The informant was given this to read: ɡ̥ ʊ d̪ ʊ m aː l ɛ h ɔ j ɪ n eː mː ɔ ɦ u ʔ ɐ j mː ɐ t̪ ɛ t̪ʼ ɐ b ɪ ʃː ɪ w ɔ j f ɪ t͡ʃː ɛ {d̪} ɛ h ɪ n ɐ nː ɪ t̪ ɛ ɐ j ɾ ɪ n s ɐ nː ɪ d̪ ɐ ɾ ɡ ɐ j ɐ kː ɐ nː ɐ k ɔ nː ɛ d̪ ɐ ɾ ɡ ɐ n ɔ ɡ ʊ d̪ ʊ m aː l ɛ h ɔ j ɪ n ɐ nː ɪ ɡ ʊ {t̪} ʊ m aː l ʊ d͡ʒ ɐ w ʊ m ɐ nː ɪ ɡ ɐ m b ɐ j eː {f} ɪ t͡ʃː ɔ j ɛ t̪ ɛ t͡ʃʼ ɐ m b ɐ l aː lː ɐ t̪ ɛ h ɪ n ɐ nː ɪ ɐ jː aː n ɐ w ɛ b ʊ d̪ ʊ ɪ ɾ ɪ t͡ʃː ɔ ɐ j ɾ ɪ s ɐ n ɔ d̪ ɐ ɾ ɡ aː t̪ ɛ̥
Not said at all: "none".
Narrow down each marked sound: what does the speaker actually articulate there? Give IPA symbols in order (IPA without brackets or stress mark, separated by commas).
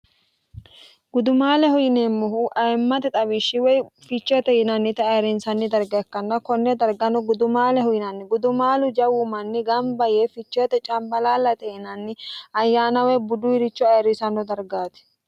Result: t̪, d̪, f